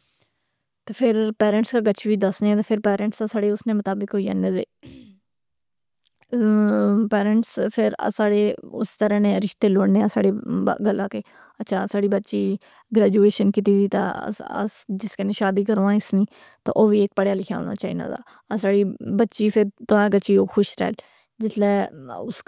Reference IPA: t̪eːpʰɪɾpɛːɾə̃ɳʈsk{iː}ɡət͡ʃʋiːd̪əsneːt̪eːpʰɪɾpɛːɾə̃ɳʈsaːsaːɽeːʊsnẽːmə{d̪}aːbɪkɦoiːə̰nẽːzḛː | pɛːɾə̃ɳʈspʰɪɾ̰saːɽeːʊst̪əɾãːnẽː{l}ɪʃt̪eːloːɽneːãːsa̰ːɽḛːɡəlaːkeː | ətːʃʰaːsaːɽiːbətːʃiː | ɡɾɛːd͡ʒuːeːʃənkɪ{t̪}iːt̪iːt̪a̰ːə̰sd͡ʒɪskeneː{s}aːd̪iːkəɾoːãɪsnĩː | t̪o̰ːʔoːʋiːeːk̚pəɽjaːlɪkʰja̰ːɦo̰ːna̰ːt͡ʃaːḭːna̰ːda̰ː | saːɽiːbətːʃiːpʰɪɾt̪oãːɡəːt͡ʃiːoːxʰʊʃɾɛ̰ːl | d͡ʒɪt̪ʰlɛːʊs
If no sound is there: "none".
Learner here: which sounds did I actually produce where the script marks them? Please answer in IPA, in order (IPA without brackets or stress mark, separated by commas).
aː, t̪, ɾ, t̪, ʃ